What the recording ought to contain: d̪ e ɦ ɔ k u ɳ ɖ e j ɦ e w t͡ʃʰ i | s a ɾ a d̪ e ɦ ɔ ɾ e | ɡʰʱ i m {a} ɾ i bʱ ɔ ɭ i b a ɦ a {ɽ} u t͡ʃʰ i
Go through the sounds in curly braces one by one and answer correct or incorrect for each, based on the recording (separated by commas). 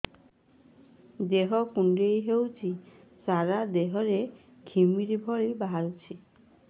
incorrect, incorrect